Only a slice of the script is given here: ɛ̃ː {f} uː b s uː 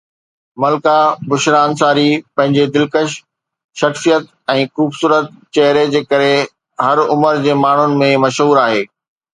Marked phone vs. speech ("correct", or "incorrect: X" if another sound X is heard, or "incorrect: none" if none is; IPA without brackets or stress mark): incorrect: x